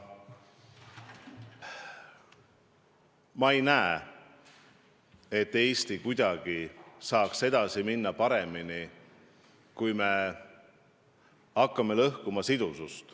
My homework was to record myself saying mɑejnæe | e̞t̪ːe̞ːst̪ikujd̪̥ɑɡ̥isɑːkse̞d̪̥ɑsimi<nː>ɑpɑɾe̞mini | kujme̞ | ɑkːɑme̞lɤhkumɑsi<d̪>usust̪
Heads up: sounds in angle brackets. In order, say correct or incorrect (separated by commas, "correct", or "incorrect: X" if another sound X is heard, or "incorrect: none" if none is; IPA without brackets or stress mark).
correct, correct